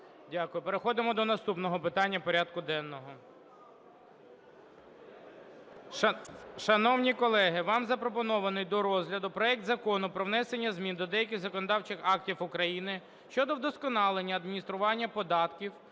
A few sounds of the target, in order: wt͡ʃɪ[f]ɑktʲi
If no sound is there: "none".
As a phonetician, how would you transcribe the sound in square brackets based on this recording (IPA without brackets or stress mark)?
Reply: x